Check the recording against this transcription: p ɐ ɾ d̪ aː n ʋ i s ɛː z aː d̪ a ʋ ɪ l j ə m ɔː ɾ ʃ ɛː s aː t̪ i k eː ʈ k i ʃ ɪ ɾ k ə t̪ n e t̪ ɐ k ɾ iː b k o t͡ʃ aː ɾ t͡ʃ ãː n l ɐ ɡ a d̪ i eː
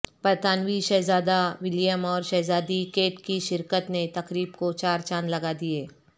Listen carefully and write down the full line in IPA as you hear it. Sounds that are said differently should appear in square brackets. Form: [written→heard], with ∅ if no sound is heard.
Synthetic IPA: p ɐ ɾ [d̪→t̪] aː n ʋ i [s→ʃ] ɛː z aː d̪ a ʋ ɪ l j ə m ɔː ɾ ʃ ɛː [s→z] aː [t̪→d̪] i k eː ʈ k i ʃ ɪ ɾ k ə t̪ n e t̪ ɐ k ɾ iː b k o t͡ʃ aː ɾ t͡ʃ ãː n l ɐ ɡ a d̪ i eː